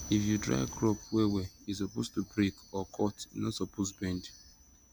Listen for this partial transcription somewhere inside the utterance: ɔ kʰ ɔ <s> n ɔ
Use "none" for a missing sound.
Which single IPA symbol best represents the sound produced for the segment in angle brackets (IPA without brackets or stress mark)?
t